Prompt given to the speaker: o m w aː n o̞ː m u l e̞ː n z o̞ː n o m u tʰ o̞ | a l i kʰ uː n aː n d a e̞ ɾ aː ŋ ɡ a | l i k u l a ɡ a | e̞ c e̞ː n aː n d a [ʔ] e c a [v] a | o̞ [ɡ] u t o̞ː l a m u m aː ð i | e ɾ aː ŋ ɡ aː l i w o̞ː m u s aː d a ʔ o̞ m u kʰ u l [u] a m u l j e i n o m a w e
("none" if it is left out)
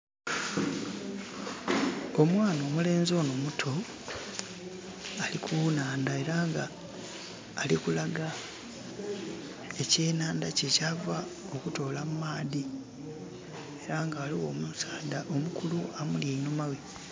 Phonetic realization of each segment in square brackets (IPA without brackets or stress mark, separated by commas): c, v, k, u